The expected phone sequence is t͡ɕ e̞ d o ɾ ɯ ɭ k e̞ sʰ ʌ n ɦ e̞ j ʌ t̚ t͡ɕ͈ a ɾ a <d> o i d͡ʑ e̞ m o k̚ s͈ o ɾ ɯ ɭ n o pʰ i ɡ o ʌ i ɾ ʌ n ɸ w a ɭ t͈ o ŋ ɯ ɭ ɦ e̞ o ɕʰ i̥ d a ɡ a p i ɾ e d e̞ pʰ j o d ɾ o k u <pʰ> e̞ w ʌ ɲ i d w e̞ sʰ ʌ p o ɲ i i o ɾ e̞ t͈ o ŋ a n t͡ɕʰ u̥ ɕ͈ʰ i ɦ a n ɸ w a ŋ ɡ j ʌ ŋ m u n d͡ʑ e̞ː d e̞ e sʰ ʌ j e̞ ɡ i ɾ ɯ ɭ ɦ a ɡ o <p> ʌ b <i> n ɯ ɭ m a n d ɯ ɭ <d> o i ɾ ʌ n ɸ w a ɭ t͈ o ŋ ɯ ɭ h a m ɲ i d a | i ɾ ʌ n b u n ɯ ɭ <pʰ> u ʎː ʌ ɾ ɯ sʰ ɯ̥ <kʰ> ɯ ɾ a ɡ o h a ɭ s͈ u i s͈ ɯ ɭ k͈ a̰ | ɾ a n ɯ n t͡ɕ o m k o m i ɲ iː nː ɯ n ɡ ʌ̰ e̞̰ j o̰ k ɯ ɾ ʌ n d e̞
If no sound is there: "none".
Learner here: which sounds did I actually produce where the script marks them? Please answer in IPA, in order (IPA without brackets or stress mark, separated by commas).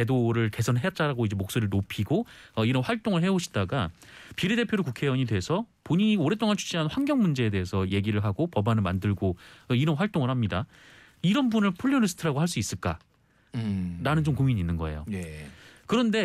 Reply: ɡ, kʰ, p, a, ɡ, pʰ, tʰ